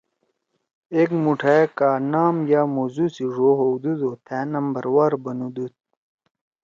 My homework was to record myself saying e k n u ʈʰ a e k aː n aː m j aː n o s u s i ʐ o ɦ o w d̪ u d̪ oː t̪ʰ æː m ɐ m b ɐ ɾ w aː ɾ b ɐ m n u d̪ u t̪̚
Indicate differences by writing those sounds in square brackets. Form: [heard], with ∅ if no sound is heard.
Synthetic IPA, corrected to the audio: e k [m] u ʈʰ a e k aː n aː m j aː [m] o [z] u s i ʐ o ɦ o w d̪ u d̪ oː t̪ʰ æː [n] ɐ m b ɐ ɾ w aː ɾ b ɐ [∅] n u d̪ u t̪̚